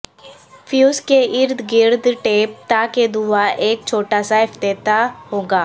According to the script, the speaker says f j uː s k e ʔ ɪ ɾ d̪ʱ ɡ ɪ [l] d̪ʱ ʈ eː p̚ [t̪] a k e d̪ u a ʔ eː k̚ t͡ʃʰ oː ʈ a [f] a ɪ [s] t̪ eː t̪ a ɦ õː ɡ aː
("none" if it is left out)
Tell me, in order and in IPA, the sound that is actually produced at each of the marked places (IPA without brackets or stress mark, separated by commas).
ɾ, t̪, s, f